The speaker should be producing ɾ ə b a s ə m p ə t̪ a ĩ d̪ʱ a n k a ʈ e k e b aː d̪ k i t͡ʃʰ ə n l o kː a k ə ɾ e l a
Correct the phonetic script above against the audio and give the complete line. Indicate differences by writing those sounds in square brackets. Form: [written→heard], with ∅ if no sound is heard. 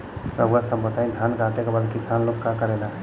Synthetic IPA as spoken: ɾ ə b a s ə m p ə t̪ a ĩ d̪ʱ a n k a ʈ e k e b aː d̪ k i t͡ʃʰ [ə→a] n l o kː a k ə ɾ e l a